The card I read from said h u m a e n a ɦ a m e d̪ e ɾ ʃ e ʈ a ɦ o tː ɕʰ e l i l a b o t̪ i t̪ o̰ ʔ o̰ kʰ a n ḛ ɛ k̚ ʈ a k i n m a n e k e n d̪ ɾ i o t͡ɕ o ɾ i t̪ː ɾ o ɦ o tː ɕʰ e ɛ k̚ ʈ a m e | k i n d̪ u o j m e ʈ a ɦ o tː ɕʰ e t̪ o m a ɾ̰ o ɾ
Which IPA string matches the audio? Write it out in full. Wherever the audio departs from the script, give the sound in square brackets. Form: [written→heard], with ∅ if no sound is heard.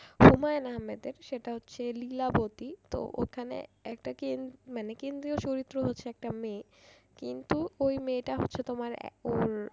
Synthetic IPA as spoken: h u m a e n a ɦ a m e d̪ e ɾ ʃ e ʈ a ɦ o tː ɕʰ e l i l a b o t̪ i t̪ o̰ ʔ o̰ kʰ a n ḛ ɛ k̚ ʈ a k [i→e] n m a n e k e n d̪ ɾ i o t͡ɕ o ɾ i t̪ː ɾ o ɦ o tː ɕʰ e ɛ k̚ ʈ a m e | k i n [d̪→t̪] u o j m e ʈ a ɦ o tː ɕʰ e t̪ o m a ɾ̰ o ɾ